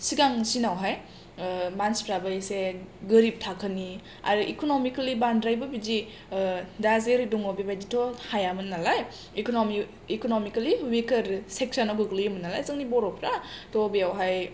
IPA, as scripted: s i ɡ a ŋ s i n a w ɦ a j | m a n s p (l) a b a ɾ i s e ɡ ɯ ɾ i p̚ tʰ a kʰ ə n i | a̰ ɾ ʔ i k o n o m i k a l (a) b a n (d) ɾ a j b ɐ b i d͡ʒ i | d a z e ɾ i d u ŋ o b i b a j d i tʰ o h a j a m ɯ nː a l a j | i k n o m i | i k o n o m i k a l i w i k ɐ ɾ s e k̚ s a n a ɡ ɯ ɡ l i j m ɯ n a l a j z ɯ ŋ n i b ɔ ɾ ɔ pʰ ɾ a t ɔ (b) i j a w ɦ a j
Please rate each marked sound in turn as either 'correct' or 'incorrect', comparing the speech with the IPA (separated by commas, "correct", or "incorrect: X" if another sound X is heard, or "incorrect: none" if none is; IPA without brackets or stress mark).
incorrect: ɾ, incorrect: i, correct, correct